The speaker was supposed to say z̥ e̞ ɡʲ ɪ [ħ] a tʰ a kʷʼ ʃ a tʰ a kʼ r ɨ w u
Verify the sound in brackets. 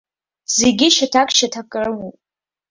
incorrect: ʃ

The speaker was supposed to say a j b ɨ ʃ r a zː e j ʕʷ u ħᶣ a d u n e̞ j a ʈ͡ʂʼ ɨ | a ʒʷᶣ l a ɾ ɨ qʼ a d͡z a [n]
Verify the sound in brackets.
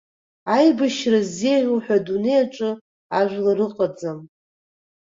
incorrect: m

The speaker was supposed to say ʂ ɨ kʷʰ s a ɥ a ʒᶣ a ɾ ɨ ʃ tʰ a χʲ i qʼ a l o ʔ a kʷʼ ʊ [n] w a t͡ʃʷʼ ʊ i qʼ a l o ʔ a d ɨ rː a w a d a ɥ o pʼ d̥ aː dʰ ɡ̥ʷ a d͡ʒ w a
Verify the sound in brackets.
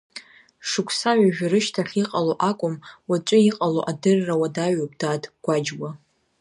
incorrect: m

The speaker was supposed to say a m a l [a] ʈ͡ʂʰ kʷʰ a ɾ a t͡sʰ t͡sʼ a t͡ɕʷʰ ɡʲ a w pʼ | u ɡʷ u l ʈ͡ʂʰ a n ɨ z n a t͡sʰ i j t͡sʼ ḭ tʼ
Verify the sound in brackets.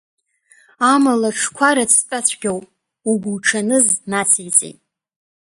correct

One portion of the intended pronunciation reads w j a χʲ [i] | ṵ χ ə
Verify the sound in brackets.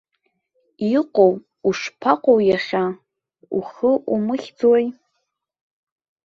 incorrect: a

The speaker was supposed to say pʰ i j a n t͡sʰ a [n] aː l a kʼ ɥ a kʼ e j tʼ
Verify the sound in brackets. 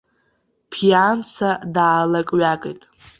incorrect: d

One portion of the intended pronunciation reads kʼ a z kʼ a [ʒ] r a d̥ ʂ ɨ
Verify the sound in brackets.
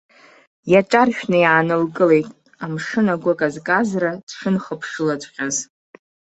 incorrect: z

